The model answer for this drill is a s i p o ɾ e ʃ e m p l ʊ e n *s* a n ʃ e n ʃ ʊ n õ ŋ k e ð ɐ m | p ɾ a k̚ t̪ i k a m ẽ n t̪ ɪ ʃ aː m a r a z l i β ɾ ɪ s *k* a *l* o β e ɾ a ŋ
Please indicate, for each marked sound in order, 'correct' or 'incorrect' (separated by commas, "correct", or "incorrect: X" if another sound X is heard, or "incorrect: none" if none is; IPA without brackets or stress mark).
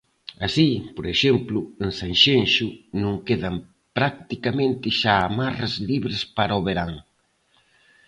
correct, incorrect: p, incorrect: ɾ